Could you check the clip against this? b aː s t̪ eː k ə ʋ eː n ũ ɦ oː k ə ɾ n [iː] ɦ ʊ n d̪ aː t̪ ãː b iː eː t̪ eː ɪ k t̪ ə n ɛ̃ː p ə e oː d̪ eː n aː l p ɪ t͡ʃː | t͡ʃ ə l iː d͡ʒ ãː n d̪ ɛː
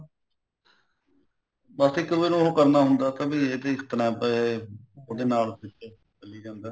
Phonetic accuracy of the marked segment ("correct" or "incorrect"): incorrect